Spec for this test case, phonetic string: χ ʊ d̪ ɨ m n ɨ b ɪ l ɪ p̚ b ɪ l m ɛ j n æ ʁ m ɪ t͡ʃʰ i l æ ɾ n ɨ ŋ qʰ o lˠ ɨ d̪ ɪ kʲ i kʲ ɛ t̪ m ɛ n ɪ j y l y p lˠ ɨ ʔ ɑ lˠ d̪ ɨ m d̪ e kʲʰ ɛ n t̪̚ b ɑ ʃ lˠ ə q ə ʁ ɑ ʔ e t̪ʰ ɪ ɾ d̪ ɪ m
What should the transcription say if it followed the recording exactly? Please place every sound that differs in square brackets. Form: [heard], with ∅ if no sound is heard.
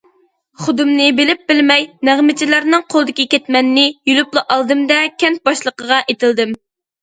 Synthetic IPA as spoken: χ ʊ d̪ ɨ m n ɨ b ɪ l ɪ p̚ b ɪ l m ɛ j n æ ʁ m ɪ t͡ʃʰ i l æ ɾ n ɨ ŋ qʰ o lˠ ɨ d̪ ɪ kʲ i kʲ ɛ t̪ m ɛ [nː] ɪ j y l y p lˠ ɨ ʔ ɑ lˠ d̪ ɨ m d̪ [ɛ] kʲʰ ɛ n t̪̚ b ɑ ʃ lˠ ə q ə ʁ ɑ ʔ e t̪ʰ ɪ [l] d̪ ɪ m